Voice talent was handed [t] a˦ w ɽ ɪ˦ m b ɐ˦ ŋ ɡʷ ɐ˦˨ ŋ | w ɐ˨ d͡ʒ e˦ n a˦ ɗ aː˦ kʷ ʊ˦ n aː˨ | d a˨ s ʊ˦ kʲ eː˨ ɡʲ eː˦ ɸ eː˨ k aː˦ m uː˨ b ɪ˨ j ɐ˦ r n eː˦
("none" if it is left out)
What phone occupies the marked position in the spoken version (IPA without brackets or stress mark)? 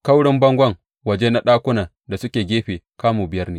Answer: k